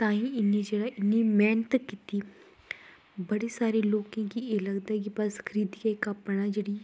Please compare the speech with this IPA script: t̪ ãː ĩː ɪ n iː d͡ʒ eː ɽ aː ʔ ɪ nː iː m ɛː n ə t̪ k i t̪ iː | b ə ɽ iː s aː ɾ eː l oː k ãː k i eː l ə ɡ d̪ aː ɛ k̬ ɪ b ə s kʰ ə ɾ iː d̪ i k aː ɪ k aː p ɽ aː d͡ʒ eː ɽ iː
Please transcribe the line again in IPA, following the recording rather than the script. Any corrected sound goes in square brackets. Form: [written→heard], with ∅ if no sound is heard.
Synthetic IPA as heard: t̪ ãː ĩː ɪ n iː d͡ʒ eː ɽ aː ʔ ɪ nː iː m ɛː n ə t̪ k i t̪ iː | b ə ɽ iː s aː ɾ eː l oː k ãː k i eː l ə ɡ d̪ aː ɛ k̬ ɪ b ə s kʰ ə ɾ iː d̪ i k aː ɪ k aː p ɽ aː d͡ʒ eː ɽ iː